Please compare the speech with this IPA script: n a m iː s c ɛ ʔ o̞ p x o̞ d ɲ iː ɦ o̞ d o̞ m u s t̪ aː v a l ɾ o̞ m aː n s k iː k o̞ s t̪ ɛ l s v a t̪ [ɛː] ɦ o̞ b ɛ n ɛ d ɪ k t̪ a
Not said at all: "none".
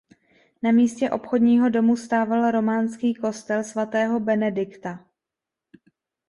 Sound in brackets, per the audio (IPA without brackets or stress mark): ɛː